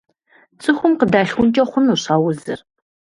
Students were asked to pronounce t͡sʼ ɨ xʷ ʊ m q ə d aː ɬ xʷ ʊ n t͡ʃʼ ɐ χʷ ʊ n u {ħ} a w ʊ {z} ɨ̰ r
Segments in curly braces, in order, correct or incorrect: incorrect: ɕ, correct

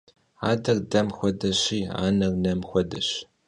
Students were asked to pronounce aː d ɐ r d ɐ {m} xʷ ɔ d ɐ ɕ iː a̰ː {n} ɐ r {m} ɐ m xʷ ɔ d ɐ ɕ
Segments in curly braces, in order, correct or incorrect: correct, correct, incorrect: n

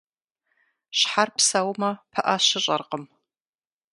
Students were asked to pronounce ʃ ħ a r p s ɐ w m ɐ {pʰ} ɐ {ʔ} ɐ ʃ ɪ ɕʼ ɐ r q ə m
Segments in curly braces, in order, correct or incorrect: correct, correct

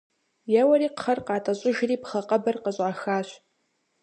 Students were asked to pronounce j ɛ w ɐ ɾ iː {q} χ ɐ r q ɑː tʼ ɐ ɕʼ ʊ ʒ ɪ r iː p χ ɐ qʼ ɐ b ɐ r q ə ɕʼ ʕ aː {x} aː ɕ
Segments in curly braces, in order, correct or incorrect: correct, correct

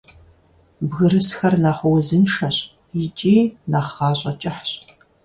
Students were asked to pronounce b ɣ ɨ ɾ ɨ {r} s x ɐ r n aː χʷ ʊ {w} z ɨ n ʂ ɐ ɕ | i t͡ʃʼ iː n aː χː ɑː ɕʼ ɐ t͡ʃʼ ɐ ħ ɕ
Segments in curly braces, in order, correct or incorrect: incorrect: none, correct

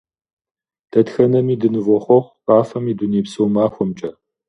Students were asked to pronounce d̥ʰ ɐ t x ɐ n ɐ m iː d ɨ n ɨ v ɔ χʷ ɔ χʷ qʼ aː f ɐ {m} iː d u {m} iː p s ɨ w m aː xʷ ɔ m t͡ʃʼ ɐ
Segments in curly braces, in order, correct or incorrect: correct, incorrect: n

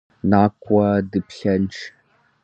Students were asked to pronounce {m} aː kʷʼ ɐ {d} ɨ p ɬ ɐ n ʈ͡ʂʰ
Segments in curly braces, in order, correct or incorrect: incorrect: n, correct

